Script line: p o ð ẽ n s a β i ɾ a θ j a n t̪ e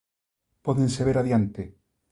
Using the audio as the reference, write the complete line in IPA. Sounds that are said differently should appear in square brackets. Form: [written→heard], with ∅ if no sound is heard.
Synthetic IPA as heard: p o ð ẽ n s [a→e] β [i→e] ɾ a [θ→ð] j a n t̪ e